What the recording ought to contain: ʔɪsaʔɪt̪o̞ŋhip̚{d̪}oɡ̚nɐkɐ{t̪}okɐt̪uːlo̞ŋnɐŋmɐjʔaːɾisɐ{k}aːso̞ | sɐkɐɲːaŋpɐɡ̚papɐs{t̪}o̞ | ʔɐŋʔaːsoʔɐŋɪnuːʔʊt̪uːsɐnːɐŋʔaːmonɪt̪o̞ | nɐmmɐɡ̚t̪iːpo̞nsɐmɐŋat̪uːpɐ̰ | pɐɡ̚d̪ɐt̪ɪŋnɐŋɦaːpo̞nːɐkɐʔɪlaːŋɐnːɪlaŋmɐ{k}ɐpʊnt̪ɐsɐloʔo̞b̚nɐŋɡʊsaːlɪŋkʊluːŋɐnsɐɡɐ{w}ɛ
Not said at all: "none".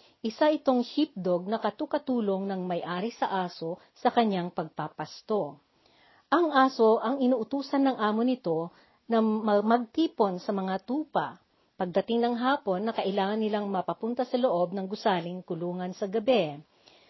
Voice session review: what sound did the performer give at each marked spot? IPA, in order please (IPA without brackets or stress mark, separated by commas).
d̪, t̪, ʔ, t̪, p, b